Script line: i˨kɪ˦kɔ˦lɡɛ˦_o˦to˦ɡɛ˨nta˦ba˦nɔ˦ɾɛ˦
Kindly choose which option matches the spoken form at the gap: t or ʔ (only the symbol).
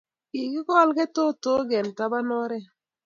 t